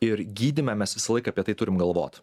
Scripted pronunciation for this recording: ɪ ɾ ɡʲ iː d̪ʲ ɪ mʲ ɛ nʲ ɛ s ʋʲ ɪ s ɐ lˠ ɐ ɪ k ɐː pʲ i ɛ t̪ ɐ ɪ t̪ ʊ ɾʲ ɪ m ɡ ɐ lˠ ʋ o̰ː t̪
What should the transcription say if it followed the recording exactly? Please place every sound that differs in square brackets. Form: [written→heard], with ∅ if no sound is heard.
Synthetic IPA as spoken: ɪ ɾ ɡʲ iː d̪ʲ ɪ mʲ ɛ [nʲ→mʲ] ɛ s ʋʲ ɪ s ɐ lˠ ɐ ɪ k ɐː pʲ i ɛ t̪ ɐ ɪ t̪ ʊ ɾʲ ɪ m ɡ ɐ lˠ ʋ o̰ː t̪